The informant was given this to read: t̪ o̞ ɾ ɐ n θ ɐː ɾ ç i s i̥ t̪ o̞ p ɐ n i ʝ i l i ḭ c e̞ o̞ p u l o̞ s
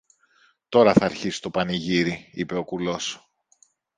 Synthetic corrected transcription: t̪ o̞ ɾ ɐ θ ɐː ɾ ç i s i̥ t̪ o̞ p ɐ n i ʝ i ɾ i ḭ p e̞ o̞ k u l o̞ s

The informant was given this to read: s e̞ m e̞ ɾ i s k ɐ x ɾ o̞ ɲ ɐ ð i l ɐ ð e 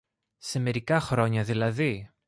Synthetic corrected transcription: s e̞ m e̞ ɾ i k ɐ x ɾ o̞ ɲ ɐ ð i l ɐ ð i

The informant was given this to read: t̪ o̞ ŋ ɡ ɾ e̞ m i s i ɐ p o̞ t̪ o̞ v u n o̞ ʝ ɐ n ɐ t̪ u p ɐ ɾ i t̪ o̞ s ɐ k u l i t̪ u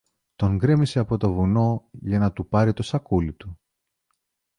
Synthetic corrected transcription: t̪ o̞ ŋ ɡ ɾ e̞ m i s e ɐ p o̞ t̪ o̞ v u n o̞ ʝ ɐ n ɐ t̪ u p ɐ ɾ i t̪ o̞ s ɐ k u l i t̪ u

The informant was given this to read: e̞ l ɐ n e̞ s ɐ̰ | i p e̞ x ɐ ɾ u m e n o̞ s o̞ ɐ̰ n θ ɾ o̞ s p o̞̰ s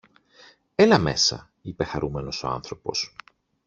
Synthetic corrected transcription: e̞ l ɐ m e̞ s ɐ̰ | i p e̞ x ɐ ɾ u m e n o̞ s o̞ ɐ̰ n θ ɾ o̞ p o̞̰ s

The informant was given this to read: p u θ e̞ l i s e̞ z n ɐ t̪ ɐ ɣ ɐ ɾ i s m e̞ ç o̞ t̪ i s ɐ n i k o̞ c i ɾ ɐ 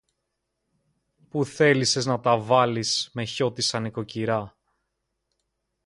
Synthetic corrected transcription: p u θ e̞ l i s e̞ z n ɐ t̪ ɐ v ɐ l i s m e̞ ç o̞ t̪ i s ɐ n i k o̞ c i ɾ ɐ

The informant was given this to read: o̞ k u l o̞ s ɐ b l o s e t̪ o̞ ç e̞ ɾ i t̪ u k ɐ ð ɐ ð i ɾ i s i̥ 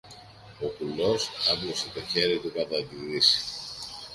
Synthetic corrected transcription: o̞ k u l o̞ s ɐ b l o s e t̪ o̞ ç e̞ ɾ i t̪ u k ɐ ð ɐ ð i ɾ i s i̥

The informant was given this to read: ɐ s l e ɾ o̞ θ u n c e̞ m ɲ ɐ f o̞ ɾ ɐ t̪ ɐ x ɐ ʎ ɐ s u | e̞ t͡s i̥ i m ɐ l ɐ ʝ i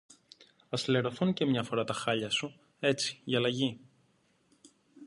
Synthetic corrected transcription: ɐ s l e ɾ o̞ θ u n c e̞ m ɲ ɐ f o̞ ɾ ɐ t̪ ɐ x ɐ ʎ ɐ s u | e̞ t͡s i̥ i ɐ l ɐ ʝ i

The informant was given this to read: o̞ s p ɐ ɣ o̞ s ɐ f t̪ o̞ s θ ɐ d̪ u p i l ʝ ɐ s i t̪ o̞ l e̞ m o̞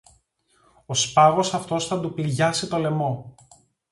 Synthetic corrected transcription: o̞ s p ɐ ɣ o̞ s ɐ f t̪ o̞ s θ ɐ d̪ u p i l ʝ ɐ s i t̪ o̞ l e̞ m o̞

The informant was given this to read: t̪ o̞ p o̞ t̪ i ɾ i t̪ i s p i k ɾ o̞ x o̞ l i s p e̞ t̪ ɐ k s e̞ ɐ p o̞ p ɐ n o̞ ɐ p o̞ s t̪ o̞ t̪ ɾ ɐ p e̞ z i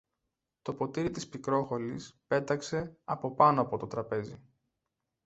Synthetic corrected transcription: t̪ o̞ p o̞ t̪ i ɾ i t̪ i s p i k ɾ o̞ x o̞ l i s p e̞ t̪ ɐ k s e̞ ɐ p o̞ p ɐ n o̞ ɐ p o̞ t̪ o̞ t̪ ɾ ɐ p e̞ z i

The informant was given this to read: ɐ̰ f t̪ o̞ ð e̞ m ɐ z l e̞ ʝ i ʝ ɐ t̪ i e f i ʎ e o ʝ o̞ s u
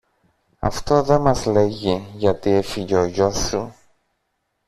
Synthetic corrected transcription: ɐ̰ f t̪ o̞ ð e̞ m ɐ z l e̞ ʝ i ʝ ɐ t̪ i e f i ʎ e o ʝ o̞ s u

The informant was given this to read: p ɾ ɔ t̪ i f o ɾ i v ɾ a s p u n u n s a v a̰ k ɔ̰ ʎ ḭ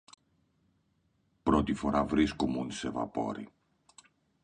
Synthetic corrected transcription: p ɾ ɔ t̪ i f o ɾ a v ɾ i s k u m u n s e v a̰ p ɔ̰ ɾ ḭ

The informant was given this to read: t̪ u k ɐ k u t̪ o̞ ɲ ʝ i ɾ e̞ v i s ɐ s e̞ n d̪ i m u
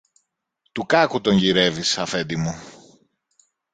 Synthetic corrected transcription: t̪ u k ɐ k u t̪ o̞ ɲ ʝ i ɾ e̞ v i s ɐ f e̞ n d̪ i m u

